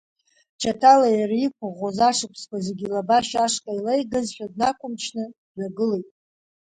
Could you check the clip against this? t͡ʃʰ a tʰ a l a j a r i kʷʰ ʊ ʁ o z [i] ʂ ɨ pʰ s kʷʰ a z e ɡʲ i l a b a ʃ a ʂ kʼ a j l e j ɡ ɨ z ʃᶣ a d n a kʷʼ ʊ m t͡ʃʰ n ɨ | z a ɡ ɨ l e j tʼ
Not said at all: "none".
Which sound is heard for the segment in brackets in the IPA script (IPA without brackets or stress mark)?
a